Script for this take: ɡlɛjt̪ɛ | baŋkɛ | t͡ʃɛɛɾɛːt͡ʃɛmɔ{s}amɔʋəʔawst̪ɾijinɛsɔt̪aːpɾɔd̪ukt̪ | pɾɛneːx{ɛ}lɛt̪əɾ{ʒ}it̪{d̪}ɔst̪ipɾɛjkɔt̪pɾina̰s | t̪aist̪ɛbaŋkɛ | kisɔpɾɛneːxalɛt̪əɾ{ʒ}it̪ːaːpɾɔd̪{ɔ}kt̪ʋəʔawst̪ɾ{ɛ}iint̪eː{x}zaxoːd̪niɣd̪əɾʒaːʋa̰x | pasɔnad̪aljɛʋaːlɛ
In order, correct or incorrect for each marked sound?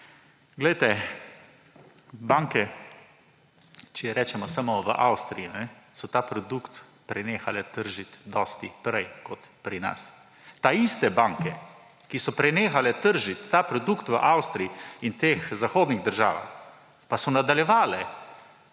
correct, incorrect, correct, correct, correct, incorrect, incorrect, correct

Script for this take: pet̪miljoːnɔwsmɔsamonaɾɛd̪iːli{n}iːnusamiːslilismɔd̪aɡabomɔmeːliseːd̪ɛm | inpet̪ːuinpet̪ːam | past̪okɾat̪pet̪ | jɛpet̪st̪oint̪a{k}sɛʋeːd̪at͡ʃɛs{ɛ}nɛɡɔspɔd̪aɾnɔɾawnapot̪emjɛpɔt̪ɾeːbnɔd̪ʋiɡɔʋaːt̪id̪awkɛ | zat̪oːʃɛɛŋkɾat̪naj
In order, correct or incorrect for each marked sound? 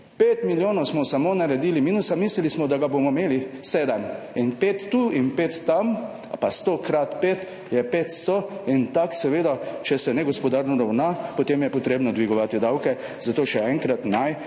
incorrect, correct, correct

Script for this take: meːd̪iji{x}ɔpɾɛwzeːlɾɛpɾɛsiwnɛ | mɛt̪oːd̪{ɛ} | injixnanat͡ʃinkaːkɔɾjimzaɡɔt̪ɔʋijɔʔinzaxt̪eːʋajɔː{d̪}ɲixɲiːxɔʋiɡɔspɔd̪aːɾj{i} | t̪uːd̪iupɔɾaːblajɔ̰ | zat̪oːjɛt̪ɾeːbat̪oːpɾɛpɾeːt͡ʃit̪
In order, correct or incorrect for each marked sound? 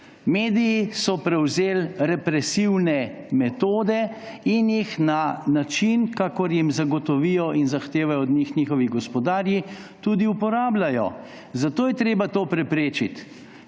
incorrect, correct, correct, correct

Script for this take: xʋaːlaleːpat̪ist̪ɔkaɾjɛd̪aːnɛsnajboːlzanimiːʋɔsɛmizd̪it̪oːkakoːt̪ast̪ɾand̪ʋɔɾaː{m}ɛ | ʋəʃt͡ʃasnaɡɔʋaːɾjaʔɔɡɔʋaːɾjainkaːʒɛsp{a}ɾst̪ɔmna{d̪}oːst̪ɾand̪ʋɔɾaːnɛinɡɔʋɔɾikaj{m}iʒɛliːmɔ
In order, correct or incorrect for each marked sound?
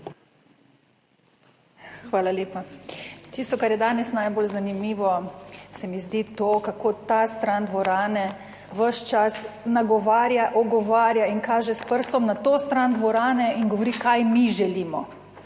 incorrect, incorrect, incorrect, correct

